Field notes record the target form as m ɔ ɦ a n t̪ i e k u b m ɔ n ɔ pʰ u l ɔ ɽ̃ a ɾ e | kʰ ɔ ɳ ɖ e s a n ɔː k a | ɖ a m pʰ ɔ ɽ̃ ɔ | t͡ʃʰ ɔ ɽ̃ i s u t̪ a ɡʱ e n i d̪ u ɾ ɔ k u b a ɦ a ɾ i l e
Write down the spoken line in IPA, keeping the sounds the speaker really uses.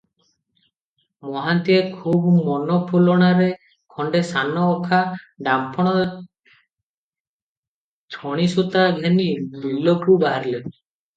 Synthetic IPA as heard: m ɔ ɦ a n t̪ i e kʰ u b m ɔ n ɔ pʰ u l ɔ ɽ̃ a ɾ e | kʰ ɔ ɳ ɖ e s a n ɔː kʰ a | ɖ a m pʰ ɔ ɽ̃ ɔ | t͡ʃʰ ɔ ɽ̃ i s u t̪ a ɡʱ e n i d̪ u l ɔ k u b a ɦ a ɾ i l e